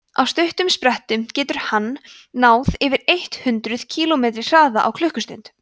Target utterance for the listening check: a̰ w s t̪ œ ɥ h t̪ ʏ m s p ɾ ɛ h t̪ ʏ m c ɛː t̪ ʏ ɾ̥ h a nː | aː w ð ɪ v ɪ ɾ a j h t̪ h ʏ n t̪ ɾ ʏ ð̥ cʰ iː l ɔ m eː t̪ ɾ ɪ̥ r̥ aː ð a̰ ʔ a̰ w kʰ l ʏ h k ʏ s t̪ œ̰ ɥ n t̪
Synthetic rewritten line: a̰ w s t̪ œ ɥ h t̪ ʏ m s p ɾ ɛ h t̪ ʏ m c ɛː t̪ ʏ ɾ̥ h a nː | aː w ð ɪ v ɪ ɾ e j h t̪ h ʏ n t̪ ɾ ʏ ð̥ cʰ iː l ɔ m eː t̪ ɾ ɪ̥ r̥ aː ð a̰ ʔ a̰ w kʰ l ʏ h k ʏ s t̪ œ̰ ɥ n t̪